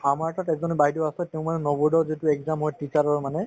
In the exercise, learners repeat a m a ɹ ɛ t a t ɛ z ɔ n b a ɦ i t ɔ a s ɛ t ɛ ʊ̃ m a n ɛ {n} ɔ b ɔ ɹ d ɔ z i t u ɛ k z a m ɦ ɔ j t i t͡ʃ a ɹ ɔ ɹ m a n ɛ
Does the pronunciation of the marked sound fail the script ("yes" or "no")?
no